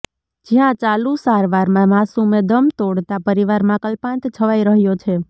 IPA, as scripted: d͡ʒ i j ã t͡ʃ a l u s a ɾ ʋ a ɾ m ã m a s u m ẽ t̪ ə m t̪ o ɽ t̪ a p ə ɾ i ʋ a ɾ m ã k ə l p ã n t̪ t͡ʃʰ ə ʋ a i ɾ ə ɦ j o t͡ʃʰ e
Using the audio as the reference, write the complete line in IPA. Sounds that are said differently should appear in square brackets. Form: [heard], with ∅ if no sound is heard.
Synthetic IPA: d͡ʒ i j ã t͡ʃ a l u s a ɾ ʋ a ɾ m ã m a s u m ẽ [d̪] ə m t̪ o ɽ t̪ a p ə ɾ i ʋ a ɾ m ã k ə l p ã n t̪ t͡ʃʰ ə ʋ a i ɾ ə ɦ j o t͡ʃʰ e